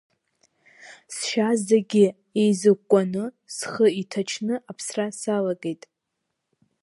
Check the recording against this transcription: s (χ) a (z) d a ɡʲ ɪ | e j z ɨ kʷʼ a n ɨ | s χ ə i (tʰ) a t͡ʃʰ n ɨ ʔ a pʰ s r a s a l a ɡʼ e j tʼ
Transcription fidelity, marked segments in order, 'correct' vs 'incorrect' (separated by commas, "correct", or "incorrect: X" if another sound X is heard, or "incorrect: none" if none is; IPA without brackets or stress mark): incorrect: ʃ, correct, correct